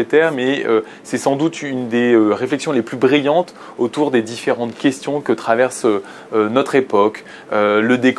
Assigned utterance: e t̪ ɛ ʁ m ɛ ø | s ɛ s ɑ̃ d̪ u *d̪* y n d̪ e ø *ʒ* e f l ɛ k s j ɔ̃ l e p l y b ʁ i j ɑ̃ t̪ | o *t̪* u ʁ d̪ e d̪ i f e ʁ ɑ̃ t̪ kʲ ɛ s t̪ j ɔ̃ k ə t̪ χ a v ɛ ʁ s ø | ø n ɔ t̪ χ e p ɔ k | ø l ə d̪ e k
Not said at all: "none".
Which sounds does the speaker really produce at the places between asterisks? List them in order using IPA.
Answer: t̪, ʁ, t̪

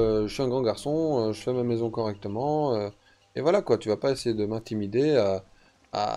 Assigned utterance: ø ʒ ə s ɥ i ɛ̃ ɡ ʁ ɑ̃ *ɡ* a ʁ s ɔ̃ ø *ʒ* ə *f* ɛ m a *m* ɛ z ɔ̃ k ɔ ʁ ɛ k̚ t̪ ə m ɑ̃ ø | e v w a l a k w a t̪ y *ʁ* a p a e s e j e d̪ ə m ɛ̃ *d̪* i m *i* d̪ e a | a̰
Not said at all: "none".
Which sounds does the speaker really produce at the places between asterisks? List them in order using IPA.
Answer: ɡ, ʒ, f, m, v, t̪, i

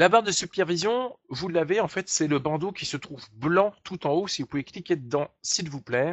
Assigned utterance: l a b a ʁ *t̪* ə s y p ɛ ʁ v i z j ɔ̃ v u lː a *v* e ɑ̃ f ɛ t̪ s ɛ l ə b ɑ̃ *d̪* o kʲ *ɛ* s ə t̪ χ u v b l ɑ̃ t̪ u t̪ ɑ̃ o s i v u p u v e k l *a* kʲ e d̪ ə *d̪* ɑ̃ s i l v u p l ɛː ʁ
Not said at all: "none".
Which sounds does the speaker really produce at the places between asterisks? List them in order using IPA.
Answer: d̪, v, d̪, i, i, d̪

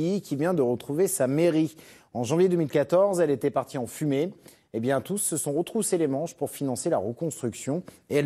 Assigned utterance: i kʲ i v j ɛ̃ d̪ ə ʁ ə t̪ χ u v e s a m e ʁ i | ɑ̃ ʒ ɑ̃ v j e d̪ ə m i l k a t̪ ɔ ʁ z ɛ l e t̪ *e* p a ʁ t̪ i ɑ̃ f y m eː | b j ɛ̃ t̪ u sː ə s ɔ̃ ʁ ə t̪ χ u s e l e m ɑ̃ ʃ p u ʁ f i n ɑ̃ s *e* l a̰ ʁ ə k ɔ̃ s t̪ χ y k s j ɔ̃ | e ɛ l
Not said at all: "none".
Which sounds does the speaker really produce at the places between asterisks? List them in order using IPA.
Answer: ɛ, e

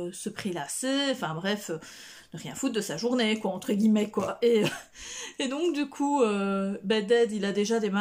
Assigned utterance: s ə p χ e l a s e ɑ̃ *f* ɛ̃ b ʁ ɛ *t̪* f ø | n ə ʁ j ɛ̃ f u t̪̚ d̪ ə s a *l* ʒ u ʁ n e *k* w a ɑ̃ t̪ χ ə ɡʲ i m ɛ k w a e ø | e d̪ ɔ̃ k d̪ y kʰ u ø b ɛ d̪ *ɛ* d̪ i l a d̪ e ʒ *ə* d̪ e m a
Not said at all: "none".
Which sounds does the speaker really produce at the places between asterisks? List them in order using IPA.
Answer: f, none, none, k, ɛ, a

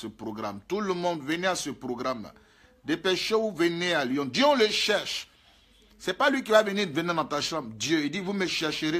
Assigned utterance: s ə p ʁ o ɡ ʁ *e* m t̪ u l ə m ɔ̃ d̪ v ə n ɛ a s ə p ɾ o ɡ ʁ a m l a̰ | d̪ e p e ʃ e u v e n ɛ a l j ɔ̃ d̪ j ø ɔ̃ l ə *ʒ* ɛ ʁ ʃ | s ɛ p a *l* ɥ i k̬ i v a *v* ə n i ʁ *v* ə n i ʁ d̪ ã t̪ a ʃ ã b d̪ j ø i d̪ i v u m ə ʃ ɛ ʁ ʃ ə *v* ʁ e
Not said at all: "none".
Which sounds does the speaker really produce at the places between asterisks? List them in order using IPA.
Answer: a, ʃ, l, v, v, none

